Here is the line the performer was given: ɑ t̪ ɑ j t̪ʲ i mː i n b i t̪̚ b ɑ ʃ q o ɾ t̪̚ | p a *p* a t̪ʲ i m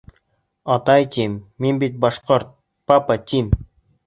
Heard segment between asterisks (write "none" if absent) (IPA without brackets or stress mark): p